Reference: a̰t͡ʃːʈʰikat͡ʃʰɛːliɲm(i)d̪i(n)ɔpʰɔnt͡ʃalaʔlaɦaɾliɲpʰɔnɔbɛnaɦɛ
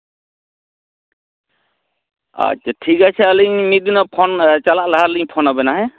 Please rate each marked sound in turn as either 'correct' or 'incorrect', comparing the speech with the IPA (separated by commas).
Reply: correct, correct